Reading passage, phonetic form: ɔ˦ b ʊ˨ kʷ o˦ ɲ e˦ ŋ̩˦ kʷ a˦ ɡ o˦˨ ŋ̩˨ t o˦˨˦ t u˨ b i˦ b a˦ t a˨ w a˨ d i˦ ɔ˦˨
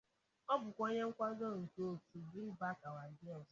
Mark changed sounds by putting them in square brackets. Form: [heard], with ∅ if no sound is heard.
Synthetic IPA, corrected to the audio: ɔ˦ b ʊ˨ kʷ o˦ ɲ e˦ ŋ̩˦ kʷ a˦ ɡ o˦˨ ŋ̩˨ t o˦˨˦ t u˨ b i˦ b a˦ [k] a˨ w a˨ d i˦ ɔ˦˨